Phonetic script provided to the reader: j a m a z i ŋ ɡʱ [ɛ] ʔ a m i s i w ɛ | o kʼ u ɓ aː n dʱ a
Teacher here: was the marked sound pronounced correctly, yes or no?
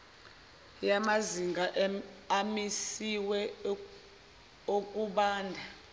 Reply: no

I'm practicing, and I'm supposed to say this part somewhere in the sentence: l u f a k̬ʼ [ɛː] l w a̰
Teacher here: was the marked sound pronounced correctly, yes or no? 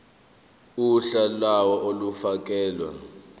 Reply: yes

